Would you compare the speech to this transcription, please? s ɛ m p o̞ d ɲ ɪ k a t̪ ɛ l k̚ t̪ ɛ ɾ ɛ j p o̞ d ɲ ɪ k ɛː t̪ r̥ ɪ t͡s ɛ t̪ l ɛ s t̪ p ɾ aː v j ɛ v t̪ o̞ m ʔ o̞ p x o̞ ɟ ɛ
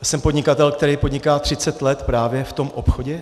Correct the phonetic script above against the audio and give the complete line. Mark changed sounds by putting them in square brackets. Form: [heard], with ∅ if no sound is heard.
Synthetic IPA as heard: s ɛ m p o̞ d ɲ ɪ k a t̪ ɛ l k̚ t̪ ɛ ɾ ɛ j p o̞ d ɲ ɪ k [aː] t̪ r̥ ɪ t͡s ɛ t̪ l ɛ [∅] t̪ p ɾ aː v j ɛ [f] t̪ o̞ m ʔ o̞ p x o̞ ɟ ɛ

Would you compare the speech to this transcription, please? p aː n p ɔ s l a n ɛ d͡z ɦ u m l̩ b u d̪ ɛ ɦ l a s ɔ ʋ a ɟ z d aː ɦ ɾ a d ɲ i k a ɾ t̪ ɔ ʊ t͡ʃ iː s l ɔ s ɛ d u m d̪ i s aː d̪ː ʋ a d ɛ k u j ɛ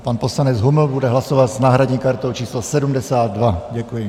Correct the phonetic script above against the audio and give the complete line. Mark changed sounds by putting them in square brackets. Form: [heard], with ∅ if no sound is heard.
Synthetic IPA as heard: p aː n p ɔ s l a n ɛ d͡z ɦ u m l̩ b u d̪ ɛ ɦ l a s ɔ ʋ a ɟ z [n] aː ɦ ɾ a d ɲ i k a ɾ t̪ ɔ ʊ t͡ʃ iː s l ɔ s ɛ d u m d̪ [ɛ] s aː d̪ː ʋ a [ɟ] ɛ k u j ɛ

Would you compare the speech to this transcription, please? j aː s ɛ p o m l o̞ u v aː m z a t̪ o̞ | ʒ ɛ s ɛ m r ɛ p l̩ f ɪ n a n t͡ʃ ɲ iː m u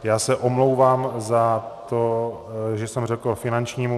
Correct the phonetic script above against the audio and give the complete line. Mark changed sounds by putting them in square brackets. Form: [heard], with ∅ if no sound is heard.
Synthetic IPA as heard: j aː s ɛ [ʔ] o m l o̞ [w] v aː m z a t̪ o̞ | ʒ ɛ s ɛ m r ɛ [k] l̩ f ɪ n a n t͡ʃ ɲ iː m u

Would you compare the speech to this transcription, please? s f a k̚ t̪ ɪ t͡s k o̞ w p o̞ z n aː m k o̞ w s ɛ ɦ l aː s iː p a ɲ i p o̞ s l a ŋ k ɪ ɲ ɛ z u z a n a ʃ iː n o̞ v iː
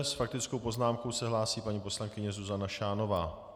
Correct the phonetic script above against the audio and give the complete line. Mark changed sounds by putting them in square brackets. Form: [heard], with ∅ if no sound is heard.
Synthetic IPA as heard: s f a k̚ t̪ ɪ t͡s k o̞ w p o̞ z n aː m k o̞ w s ɛ ɦ l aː s iː p a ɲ i p o̞ s l a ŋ k ɪ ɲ ɛ z u z a n a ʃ [aː] n o̞ v [aː]

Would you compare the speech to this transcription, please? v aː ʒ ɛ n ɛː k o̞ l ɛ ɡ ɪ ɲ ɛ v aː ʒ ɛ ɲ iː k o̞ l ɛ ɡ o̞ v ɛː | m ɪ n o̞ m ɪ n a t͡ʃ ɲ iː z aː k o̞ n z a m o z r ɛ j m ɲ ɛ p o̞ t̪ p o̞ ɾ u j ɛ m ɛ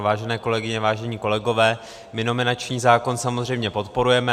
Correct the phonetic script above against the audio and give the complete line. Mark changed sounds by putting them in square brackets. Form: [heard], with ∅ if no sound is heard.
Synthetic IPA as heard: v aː ʒ ɛ n ɛː k o̞ l ɛ ɡ ɪ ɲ ɛ v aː ʒ ɛ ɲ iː k o̞ l ɛ ɡ o̞ v ɛː | m ɪ n o̞ m ɪ n a t͡ʃ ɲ iː z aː k o̞ n [s] a m o z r ɛ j m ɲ ɛ p o̞ t̪ p o̞ ɾ u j ɛ m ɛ

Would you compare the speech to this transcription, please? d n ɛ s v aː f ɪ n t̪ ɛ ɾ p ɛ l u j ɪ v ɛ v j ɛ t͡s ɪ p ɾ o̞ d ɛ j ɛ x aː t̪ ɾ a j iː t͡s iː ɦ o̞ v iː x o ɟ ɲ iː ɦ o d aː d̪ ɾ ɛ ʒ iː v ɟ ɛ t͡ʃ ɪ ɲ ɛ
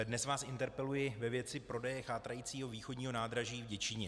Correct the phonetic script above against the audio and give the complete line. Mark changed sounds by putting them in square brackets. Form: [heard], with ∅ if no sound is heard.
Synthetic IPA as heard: d n ɛ s v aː [s] ɪ n t̪ ɛ ɾ p ɛ l u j ɪ v ɛ v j ɛ t͡s ɪ p ɾ o̞ d ɛ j ɛ x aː t̪ ɾ a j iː t͡s iː ɦ o̞ v iː x o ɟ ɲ iː ɦ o [n] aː d̪ ɾ [a] ʒ iː v ɟ ɛ t͡ʃ ɪ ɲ ɛ

